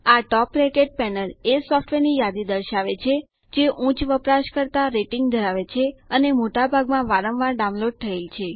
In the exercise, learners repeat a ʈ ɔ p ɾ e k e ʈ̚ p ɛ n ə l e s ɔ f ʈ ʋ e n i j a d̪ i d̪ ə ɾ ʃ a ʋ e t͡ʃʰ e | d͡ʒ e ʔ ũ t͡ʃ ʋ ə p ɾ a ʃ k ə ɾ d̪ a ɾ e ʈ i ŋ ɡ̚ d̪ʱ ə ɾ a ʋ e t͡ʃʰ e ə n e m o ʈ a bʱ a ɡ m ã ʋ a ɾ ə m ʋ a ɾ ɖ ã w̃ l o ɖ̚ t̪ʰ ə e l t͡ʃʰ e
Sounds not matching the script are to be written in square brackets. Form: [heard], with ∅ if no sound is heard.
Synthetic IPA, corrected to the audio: a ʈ ɔ p ɾ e k e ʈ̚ p ɛ n ə l e s ɔ f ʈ ʋ e n i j a d̪ i d̪ ə ɾ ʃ a ʋ e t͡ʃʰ e | d͡ʒ e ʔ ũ t͡ʃ ʋ ə p ɾ a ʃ k ə ɾ [t̪] a ɾ e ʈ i ŋ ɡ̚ d̪ʱ ə ɾ a ʋ e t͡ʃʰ e ə n e m o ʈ a bʱ a ɡ m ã ʋ a ɾ ə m ʋ a ɾ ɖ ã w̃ l o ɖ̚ t̪ʰ ə e l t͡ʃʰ e